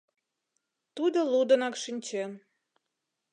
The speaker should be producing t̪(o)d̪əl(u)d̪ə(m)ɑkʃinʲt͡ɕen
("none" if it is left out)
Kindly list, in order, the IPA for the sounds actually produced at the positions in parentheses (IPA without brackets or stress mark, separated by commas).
u, u, n